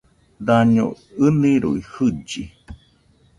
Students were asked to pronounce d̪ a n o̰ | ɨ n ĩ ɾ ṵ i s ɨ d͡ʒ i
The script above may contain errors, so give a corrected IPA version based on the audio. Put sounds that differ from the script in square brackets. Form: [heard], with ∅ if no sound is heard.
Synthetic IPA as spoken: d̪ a [ɲ] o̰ | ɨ n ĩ ɾ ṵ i [h] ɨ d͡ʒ i